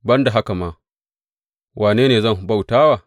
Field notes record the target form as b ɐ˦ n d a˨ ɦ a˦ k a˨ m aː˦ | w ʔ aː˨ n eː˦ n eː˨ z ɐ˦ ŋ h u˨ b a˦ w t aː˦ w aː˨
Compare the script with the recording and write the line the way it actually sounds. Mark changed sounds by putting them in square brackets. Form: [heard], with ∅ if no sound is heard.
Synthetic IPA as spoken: b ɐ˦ n d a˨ ɦ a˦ k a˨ m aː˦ | w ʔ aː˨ n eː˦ n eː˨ z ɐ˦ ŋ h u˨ b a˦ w t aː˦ w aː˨